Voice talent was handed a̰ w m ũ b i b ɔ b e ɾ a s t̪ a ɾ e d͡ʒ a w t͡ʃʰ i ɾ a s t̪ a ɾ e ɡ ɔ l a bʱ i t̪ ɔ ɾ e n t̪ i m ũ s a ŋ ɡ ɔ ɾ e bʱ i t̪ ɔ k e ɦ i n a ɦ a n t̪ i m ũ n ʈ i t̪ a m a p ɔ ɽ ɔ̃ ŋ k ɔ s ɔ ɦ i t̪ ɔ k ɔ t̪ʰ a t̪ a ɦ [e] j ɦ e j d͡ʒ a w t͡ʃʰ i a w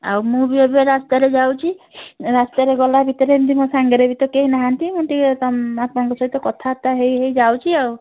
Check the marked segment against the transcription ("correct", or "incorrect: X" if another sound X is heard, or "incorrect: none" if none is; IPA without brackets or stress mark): correct